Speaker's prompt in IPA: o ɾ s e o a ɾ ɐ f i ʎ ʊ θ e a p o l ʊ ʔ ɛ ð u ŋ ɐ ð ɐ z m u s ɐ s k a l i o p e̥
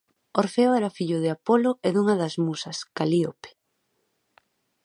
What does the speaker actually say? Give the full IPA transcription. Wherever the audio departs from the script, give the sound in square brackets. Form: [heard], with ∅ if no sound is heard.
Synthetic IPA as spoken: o ɾ [f] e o [ɛ] ɾ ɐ f i ʎ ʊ [ð] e a p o l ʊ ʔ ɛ ð u ŋ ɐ ð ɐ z m u s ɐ s k a l i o p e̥